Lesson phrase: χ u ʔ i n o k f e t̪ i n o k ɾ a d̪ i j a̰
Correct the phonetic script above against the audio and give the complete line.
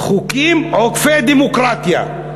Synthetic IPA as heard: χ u k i m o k f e d̪ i m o k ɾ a t̪ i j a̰